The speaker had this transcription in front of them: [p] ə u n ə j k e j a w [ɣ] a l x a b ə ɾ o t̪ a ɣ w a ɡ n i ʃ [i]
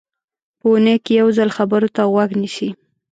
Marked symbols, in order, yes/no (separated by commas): yes, no, yes